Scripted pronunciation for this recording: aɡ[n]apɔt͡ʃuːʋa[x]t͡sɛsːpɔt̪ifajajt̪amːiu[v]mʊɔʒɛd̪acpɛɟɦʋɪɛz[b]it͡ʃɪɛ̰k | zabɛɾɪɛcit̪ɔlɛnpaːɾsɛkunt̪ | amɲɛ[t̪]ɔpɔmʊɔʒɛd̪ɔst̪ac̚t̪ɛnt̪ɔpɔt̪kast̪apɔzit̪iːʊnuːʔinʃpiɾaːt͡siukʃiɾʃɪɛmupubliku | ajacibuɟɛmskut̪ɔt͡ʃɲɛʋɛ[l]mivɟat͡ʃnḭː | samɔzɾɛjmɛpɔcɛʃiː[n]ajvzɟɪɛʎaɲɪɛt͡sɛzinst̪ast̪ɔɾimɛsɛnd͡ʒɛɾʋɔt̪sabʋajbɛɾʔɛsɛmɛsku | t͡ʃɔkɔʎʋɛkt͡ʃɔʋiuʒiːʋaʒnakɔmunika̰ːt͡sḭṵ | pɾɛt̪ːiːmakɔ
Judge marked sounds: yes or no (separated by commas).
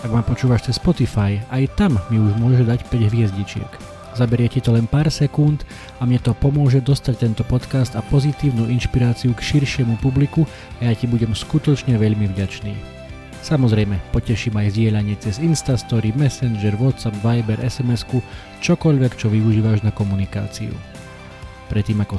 no, no, no, no, yes, no, no